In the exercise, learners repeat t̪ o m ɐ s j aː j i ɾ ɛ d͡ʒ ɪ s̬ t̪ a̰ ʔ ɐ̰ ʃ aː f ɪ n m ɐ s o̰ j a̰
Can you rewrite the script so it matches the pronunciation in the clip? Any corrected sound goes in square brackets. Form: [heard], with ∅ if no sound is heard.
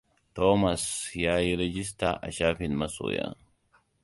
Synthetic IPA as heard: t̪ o m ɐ s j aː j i ɾ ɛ d͡ʒ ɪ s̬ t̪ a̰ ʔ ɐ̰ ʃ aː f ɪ n m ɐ s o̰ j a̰